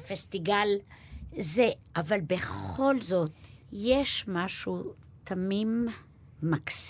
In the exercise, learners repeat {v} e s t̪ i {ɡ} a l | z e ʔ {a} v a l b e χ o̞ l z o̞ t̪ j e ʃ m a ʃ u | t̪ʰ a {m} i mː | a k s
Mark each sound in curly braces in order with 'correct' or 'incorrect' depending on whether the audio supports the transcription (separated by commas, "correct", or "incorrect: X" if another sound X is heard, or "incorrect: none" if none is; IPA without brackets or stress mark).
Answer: incorrect: f, correct, correct, correct